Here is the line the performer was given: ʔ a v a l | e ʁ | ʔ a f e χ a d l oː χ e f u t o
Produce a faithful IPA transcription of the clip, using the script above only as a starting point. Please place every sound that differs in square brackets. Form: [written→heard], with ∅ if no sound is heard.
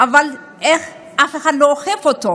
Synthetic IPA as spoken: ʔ a v a l | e [ʁ→χ] | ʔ a f e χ a d l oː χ e f [u→o] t o